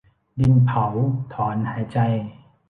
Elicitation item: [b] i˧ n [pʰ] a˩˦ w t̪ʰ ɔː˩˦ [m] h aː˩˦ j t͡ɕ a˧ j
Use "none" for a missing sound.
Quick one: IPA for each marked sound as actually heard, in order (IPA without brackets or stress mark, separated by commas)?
d, pʰ, n